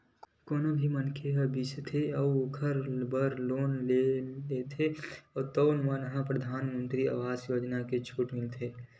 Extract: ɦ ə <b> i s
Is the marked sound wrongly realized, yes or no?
no